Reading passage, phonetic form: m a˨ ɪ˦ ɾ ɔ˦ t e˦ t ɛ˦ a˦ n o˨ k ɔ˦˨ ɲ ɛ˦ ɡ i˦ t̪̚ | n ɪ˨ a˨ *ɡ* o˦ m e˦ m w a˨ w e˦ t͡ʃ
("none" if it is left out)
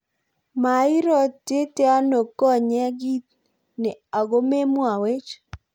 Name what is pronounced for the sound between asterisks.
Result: ɡ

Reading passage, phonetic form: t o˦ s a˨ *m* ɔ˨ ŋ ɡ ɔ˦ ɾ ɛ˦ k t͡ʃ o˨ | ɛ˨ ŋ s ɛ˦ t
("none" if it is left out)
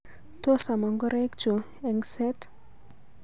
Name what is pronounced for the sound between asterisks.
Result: m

